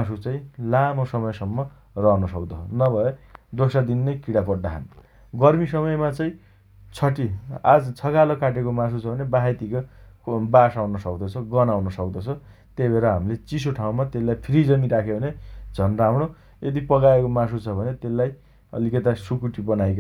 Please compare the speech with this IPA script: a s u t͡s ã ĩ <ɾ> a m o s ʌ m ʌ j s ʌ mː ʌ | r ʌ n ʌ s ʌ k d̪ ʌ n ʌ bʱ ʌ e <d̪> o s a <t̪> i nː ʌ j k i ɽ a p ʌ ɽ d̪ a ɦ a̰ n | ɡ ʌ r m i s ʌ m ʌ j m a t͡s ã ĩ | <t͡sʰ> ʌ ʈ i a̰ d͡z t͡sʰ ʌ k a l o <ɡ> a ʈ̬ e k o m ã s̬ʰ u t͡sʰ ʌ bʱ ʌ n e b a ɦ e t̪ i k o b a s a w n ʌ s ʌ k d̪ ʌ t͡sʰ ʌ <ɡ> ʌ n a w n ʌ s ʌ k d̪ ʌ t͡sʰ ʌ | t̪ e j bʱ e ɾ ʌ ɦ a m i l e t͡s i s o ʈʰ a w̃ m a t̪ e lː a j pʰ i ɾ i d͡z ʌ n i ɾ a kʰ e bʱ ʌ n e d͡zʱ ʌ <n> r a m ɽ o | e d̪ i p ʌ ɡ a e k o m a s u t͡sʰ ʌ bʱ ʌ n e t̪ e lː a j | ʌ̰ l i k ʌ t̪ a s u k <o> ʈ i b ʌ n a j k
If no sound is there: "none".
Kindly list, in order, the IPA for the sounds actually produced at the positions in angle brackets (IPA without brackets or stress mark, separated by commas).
l, d̪, d̪, t͡sʰ, k, ɡ, n, u